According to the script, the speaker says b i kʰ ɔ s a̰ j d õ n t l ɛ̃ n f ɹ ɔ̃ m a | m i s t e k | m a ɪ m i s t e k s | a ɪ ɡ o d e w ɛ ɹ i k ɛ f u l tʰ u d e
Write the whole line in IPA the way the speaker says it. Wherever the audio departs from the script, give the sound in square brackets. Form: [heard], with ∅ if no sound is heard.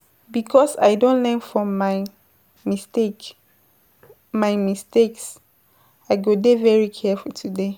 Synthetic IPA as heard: b i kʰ ɔ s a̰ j d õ n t l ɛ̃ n f ɹ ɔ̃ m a | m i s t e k | m a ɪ m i s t e k s | a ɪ ɡ o d e [v] ɛ ɹ i [kʰ] ɛ f u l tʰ u d e